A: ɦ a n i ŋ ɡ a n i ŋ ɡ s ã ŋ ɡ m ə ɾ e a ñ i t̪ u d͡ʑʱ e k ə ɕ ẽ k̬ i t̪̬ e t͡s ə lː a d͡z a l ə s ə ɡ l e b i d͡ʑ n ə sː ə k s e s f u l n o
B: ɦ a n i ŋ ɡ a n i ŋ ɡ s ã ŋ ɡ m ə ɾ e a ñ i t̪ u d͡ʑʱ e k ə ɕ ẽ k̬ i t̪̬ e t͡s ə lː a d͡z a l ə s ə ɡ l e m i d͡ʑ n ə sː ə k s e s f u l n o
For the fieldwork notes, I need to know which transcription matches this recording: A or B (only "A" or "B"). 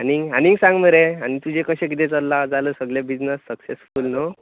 A